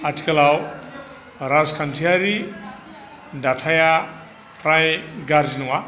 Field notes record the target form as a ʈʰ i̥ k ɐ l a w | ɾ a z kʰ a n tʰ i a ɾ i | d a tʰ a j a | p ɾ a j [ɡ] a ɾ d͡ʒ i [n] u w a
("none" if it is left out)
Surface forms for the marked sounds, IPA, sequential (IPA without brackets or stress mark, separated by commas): ɡ, n